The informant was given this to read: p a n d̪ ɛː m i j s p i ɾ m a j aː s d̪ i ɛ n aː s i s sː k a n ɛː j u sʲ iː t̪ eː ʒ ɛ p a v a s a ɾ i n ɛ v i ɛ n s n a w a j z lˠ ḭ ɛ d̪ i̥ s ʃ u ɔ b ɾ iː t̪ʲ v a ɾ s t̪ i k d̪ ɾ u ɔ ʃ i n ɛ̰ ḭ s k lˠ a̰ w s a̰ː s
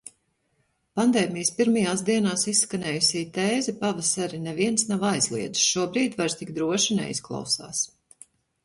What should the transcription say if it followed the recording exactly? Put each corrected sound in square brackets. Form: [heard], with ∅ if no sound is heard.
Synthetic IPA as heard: p a n d̪ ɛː m i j s p i ɾ m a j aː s d̪ i ɛ n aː s i s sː k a n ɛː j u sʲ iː t̪ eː [z] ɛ p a v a s a ɾ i n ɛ v i ɛ n s n a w a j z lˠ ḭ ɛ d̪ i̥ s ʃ u ɔ b ɾ iː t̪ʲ v a ɾ s t̪ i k d̪ ɾ u ɔ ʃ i n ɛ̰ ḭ s k lˠ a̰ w s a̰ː s